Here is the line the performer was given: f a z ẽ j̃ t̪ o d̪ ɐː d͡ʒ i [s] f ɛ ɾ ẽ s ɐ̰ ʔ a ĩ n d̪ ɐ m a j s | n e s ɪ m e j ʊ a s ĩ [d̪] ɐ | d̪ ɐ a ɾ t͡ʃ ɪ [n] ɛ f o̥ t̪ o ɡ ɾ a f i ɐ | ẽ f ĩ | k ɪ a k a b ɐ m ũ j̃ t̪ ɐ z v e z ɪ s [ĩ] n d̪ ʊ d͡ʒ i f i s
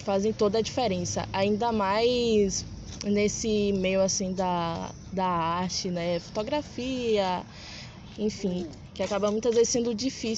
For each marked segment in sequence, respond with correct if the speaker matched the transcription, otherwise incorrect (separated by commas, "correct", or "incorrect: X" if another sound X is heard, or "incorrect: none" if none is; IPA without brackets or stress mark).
incorrect: none, correct, correct, incorrect: ẽ